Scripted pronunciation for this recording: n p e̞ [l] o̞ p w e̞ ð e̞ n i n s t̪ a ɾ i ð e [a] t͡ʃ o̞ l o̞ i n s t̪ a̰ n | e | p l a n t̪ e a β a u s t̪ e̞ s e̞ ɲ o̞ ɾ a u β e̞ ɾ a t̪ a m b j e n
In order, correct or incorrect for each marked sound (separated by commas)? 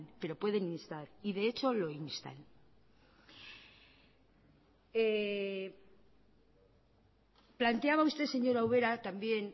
incorrect, incorrect